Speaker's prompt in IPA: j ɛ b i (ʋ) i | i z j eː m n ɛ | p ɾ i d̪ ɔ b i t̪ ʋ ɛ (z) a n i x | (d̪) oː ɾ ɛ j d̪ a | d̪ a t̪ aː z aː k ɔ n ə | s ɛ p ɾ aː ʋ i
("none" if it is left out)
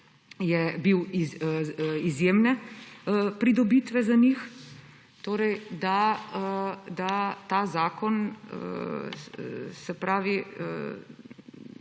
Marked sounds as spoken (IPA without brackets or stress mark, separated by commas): w, z, t̪